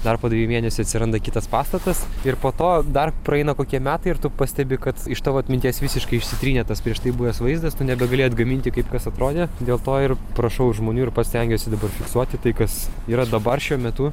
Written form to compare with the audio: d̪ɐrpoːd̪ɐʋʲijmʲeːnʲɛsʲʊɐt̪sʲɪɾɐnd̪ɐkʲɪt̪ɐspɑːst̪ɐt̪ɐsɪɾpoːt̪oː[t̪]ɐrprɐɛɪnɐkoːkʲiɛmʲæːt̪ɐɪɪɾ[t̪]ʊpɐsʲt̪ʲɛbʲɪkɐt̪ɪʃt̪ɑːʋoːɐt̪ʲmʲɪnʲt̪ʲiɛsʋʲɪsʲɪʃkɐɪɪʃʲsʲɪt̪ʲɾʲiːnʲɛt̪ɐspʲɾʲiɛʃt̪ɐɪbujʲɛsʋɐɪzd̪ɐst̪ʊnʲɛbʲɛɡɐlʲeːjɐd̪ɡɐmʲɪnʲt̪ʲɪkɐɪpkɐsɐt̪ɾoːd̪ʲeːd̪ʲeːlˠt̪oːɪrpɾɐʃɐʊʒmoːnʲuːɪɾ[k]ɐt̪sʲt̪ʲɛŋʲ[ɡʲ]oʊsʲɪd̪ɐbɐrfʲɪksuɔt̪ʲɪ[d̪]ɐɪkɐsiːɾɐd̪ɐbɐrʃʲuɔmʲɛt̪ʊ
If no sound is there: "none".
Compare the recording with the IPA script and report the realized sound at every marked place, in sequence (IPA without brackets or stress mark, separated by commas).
d̪, t̪, p, ɡʲ, t̪